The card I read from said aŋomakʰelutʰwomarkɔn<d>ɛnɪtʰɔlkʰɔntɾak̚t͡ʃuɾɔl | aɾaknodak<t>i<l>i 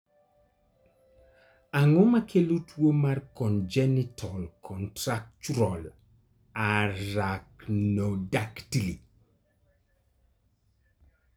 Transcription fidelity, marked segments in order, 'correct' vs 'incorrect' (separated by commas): incorrect, correct, correct